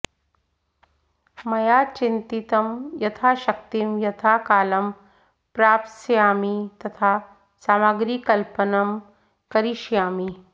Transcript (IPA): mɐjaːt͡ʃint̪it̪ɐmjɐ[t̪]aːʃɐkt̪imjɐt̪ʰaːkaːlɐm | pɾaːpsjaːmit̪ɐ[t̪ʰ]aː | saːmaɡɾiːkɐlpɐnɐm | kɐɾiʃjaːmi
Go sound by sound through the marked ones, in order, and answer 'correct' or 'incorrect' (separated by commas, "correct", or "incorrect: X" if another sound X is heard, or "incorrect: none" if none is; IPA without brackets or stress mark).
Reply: incorrect: t̪ʰ, correct